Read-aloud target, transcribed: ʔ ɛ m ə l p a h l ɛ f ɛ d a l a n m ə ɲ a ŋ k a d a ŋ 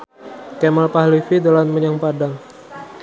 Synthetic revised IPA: k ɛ m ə l p a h l i f i d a l a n m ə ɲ a ŋ p a d a ŋ